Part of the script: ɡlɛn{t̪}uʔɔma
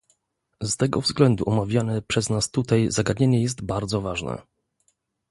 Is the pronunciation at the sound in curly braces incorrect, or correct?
incorrect